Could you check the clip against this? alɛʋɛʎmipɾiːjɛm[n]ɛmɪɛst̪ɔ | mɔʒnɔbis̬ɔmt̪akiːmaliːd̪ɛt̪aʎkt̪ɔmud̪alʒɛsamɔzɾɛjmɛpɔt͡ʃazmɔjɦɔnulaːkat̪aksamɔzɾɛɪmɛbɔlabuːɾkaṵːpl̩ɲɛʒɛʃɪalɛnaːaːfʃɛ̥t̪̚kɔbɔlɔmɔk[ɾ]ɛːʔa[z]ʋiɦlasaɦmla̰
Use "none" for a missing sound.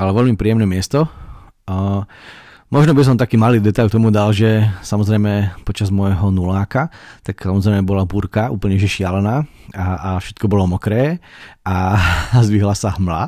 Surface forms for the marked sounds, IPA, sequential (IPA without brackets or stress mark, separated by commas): n, ɾ, z